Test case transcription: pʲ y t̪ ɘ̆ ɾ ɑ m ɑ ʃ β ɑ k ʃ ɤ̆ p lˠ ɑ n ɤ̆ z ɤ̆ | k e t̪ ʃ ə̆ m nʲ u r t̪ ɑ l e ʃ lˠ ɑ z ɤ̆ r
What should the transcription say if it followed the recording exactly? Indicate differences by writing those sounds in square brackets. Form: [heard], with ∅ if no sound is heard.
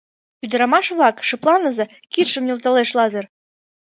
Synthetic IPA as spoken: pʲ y [d̪] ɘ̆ ɾ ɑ m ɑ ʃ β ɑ k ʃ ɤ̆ p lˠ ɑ n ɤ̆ z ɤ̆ | k [i] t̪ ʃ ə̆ m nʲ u [l] t̪ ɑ l e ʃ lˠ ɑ z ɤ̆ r